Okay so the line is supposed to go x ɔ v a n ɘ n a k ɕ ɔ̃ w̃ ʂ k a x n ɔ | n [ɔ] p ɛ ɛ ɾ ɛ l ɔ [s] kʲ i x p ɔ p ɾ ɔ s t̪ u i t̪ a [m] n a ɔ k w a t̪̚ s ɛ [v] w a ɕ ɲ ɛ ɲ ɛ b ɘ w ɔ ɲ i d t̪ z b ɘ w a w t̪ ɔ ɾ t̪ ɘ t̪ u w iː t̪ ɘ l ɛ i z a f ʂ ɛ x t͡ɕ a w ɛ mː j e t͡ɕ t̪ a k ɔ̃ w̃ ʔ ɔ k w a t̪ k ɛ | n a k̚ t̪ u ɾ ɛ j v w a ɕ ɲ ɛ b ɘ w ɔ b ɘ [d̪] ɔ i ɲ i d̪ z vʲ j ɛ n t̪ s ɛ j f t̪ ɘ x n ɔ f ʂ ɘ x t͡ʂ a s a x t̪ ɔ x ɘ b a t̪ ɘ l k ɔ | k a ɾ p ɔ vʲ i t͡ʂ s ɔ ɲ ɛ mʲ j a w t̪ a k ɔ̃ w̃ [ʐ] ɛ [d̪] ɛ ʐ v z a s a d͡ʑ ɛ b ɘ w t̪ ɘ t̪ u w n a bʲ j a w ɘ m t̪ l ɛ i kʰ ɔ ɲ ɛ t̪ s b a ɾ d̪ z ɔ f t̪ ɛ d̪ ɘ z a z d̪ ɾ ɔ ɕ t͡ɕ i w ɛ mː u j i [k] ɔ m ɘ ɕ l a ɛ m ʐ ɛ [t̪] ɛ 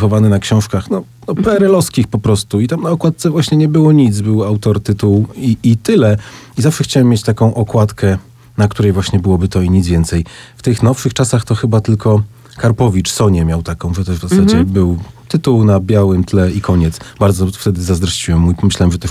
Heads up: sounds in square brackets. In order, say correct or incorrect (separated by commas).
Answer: correct, correct, correct, correct, incorrect, correct, incorrect, incorrect, correct